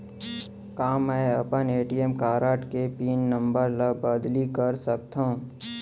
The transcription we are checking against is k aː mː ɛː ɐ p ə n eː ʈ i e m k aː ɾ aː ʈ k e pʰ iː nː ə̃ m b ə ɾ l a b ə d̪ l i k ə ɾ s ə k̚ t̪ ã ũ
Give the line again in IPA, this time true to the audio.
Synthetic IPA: k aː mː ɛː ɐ p ə n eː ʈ i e m k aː ɾ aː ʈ k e p iː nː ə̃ m b ə ɾ l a b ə d̪ l i k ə ɾ s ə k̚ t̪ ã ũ